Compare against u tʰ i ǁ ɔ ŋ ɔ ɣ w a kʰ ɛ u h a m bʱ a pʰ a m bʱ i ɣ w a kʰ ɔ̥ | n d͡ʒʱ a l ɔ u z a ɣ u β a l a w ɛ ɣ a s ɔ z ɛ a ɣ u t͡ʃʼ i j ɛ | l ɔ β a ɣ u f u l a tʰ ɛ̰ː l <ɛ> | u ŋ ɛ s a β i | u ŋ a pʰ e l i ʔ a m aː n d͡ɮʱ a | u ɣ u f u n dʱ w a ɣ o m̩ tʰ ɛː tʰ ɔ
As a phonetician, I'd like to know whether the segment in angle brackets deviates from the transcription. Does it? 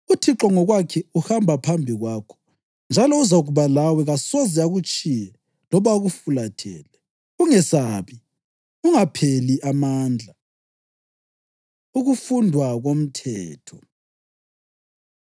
no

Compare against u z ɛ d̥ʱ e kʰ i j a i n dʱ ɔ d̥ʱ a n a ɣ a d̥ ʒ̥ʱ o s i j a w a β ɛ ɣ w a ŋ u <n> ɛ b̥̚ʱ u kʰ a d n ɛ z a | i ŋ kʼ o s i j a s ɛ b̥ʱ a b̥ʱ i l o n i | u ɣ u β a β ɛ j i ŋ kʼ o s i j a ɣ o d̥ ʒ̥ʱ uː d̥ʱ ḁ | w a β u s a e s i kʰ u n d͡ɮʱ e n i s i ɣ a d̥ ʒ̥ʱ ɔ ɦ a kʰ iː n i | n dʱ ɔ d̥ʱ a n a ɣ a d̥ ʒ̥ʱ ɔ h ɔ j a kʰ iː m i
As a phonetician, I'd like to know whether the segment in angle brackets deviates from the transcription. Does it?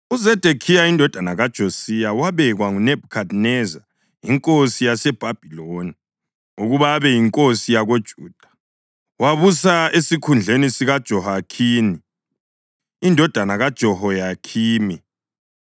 no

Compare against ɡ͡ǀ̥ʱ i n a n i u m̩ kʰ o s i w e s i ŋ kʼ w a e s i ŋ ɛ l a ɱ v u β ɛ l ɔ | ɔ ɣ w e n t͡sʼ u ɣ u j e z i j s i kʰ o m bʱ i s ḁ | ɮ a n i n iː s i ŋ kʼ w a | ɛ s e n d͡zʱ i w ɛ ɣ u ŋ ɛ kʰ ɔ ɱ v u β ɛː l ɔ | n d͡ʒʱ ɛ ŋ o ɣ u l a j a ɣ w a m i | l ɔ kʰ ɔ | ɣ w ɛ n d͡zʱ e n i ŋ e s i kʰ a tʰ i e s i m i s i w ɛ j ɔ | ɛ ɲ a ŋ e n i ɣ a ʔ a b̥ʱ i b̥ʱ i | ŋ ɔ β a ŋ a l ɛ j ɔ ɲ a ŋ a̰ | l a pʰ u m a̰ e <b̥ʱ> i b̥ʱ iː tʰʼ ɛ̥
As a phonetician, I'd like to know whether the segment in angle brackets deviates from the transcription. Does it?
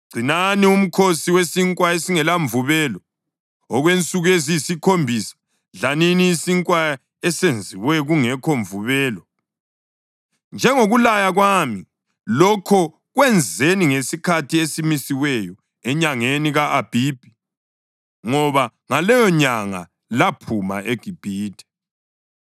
yes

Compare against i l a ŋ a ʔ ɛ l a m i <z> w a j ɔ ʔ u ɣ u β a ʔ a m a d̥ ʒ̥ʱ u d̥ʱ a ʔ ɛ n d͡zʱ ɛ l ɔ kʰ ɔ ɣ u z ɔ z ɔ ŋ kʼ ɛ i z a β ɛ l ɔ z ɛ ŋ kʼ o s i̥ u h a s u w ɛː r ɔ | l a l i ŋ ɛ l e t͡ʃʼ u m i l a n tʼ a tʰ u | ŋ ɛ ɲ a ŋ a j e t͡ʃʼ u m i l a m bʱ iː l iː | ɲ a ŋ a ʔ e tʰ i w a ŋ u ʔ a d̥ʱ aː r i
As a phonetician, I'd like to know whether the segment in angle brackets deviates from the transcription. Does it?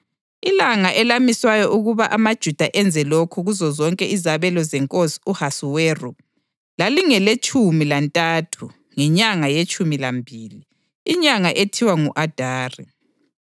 yes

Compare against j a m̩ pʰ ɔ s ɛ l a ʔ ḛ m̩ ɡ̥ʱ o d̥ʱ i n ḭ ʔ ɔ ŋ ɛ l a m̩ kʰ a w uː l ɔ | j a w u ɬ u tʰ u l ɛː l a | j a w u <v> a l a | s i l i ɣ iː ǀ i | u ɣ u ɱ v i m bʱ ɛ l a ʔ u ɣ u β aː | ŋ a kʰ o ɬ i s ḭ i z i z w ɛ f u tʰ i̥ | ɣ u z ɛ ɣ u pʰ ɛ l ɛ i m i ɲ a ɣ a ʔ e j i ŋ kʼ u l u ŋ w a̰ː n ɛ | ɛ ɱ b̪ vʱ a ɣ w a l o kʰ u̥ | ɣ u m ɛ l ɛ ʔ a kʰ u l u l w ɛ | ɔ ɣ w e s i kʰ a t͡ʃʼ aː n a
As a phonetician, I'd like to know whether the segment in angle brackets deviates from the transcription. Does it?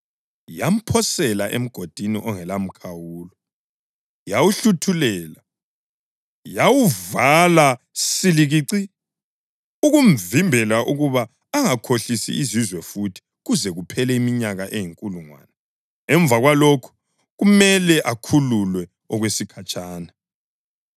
no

